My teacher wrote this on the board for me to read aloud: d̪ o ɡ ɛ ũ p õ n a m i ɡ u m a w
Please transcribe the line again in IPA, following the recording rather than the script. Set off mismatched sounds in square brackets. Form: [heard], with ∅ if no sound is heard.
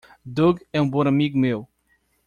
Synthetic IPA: d̪ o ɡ ɛ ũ [b] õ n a m i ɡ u m [e] w

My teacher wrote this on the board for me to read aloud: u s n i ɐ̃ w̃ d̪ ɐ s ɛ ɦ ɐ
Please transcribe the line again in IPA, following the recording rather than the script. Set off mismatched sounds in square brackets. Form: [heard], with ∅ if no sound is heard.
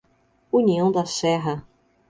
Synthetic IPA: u [∅] n i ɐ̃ w̃ d̪ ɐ s ɛ ɦ ɐ

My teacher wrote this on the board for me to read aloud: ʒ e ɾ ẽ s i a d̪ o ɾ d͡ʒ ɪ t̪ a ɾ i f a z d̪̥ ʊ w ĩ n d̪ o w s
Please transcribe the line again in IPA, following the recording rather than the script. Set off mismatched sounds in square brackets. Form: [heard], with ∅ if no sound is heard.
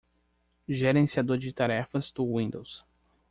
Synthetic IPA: ʒ e ɾ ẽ s i a d̪ o ɾ d͡ʒ ɪ t̪ a ɾ [ɛ] f [ɐ] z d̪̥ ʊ w ĩ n d̪ o w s

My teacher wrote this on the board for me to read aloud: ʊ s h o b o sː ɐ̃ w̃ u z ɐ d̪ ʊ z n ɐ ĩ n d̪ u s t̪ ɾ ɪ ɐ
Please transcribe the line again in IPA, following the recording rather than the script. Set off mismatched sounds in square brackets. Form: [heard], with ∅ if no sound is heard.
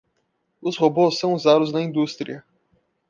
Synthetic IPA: ʊ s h o b o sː ɐ̃ w̃ u z [a] d̪ ʊ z n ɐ ĩ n d̪ u s t̪ ɾ [i] ɐ

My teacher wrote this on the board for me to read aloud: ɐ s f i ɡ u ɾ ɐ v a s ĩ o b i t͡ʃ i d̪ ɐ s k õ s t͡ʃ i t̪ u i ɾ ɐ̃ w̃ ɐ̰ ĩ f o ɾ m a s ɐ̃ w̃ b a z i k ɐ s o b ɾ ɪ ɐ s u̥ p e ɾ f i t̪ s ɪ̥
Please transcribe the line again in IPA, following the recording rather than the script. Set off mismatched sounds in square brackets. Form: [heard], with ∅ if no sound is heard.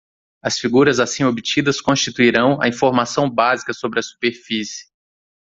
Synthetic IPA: ɐ s f i ɡ u ɾ ɐ [z] a s ĩ o b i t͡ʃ i d̪ ɐ s k õ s t͡ʃ i t̪ u i ɾ ɐ̃ w̃ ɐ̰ ĩ f o ɾ m a s ɐ̃ w̃ b a z i k ɐ s o b ɾ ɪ ɐ s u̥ p e ɾ f i [∅] s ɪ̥

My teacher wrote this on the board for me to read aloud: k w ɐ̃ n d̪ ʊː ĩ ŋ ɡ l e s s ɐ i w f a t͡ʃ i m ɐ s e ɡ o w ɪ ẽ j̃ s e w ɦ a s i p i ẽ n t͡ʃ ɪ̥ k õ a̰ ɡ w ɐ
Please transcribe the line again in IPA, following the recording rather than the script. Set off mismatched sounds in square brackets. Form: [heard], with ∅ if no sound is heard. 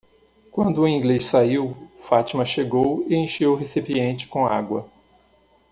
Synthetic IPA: k w ɐ̃ n d̪ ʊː ĩ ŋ ɡ l e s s [a] i w f a t͡ʃ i m ɐ [ʃ] e ɡ o w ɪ ẽ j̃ [ʃ] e w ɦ [e] s i p i ẽ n t͡ʃ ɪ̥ k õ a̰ ɡ w ɐ

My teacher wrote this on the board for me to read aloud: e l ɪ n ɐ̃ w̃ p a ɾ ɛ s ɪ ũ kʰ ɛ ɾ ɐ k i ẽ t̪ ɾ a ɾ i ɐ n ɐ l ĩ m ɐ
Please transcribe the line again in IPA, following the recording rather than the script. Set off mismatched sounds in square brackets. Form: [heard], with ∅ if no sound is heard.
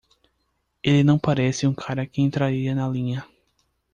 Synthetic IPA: e l ɪ n ɐ̃ w̃ p a ɾ ɛ s ɪ ũ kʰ [a] ɾ ɐ k [ɪ] ẽ t̪ ɾ a ɾ i ɐ n ɐ l ĩ [ɲ] ɐ

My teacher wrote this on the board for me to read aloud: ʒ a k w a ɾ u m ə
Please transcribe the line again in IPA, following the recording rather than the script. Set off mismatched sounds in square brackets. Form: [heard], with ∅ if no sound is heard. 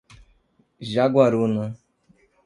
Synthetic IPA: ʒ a [ɡ] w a ɾ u [n] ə

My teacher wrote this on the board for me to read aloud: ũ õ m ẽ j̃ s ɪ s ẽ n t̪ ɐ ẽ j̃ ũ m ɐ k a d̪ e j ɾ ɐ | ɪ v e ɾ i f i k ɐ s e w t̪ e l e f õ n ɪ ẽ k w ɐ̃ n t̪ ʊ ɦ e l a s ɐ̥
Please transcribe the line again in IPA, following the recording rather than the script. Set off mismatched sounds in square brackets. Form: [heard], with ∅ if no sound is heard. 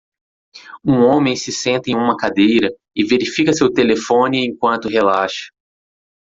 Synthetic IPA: ũ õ m ẽ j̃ s ɪ s ẽ n t̪ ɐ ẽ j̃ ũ m ɐ k a d̪ e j ɾ ɐ | ɪ v e ɾ i f i k ɐ s e w t̪ e l e f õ n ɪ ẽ k w ɐ̃ n t̪ ʊ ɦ e l a [ʃ] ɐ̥

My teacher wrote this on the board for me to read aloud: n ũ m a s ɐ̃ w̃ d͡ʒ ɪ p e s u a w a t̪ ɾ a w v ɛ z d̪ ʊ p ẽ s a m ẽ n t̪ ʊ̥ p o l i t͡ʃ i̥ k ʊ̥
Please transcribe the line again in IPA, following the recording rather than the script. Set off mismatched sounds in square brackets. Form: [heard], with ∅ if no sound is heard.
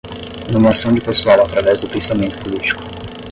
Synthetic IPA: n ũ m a s ɐ̃ w̃ d͡ʒ ɪ p e s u a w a t̪ ɾ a [∅] v ɛ z d̪ ʊ p ẽ s a m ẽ n t̪ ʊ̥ p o l i t͡ʃ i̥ k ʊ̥

